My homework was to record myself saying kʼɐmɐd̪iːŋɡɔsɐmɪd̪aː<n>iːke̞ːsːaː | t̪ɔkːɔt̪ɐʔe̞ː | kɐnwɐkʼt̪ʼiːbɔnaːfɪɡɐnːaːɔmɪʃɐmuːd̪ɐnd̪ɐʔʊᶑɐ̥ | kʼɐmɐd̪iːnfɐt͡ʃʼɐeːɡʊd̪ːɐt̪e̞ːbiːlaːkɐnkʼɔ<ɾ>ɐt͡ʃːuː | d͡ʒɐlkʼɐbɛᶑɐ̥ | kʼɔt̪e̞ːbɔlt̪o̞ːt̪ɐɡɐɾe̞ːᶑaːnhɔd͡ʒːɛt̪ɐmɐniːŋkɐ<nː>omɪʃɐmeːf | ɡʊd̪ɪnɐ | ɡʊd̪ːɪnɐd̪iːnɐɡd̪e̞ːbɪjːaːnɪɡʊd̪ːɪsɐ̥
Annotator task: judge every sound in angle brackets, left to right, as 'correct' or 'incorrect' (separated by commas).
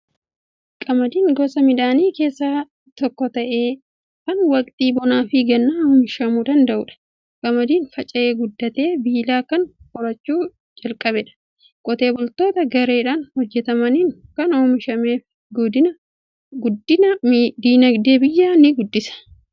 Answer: correct, correct, incorrect